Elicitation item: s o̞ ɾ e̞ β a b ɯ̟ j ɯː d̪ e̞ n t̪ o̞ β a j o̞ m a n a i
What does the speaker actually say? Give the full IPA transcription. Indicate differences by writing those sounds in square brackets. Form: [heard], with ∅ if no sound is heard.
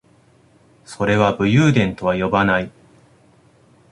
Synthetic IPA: s o̞ ɾ e̞ β a b ɯ̟ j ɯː d̪ [ẽ̞] n t̪ o̞ β a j o̞ [b] a n a i

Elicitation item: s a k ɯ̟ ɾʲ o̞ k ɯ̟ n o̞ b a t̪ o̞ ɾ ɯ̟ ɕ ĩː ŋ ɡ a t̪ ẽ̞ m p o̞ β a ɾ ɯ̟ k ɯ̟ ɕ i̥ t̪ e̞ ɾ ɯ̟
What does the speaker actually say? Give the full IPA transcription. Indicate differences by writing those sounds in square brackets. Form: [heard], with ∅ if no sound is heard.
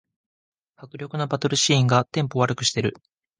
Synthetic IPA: [h] a k ɯ̟ ɾʲ o̞ k ɯ̟ n o̞ b a t̪ o̞ ɾ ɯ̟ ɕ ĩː ŋ ɡ a t̪ ẽ̞ m p o̞ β a ɾ ɯ̟ k ɯ̟ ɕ i̥ t̪ e̞ ɾ ɯ̟

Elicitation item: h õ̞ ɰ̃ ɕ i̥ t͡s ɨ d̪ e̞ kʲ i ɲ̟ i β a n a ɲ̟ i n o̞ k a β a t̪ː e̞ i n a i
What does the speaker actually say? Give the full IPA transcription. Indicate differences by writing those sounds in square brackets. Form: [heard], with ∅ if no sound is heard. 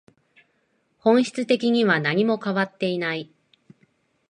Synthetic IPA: h õ̞ ɰ̃ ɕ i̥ t͡s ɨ [t̪] e̞ kʲ i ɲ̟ i β a n a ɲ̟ i [m] o̞ k a β a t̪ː e̞ i n a i

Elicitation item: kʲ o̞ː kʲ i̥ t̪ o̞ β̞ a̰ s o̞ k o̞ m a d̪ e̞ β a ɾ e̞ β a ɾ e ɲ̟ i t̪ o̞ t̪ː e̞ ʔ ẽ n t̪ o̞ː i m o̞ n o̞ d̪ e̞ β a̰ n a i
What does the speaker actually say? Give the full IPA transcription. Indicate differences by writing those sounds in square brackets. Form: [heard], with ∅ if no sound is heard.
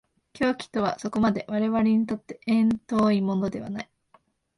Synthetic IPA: kʲ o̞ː kʲ i̥ t̪ o̞ β̞ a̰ s o̞ k o̞ m a d̪ e̞ β a ɾ e̞ β a ɾ e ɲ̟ i t̪ o̞ t̪ː e̞ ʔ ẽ n t̪ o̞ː i m o̞ n o̞ d̪ e̞ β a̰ n a i

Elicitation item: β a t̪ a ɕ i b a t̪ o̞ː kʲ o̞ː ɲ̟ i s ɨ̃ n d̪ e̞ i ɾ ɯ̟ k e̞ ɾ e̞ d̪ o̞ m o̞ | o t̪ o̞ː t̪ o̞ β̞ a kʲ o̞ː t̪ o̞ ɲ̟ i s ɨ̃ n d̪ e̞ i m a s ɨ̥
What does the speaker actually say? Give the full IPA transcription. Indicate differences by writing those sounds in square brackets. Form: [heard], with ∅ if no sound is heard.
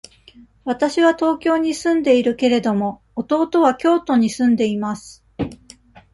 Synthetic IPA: β a t̪ a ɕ i [β] a t̪ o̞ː kʲ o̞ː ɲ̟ i s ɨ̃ n d̪ e̞ i ɾ ɯ̟ k e̞ ɾ e̞ d̪ o̞ m o̞ | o t̪ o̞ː t̪ o̞ β̞ a kʲ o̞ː t̪ o̞ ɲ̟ i s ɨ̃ n d̪ e̞ i m a s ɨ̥

